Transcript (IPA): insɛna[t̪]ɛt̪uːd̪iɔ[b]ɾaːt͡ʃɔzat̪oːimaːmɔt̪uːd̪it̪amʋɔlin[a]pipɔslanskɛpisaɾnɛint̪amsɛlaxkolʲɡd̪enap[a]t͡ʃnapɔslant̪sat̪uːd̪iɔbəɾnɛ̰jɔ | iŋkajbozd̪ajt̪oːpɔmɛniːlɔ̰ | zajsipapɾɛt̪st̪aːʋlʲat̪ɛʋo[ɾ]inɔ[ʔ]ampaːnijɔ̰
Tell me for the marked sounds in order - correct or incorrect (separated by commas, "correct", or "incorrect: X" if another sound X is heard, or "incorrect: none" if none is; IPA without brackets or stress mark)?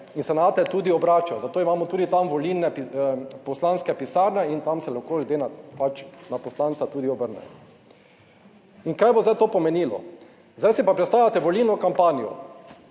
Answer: correct, correct, incorrect: ɛ, correct, incorrect: l, incorrect: k